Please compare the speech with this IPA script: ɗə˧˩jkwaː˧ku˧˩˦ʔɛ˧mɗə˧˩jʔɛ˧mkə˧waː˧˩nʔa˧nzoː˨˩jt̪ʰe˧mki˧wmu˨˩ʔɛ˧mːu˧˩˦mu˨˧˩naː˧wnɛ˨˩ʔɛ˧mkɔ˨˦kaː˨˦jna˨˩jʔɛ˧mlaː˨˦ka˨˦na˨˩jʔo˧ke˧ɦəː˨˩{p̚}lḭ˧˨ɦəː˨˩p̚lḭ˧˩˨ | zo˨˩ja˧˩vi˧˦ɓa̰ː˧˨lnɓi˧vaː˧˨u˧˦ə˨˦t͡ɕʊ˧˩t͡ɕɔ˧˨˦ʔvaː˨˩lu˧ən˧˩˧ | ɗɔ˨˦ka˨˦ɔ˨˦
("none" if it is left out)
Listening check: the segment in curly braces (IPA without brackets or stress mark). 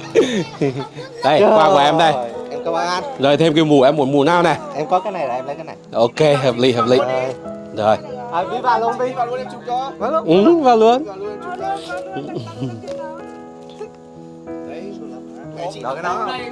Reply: p̚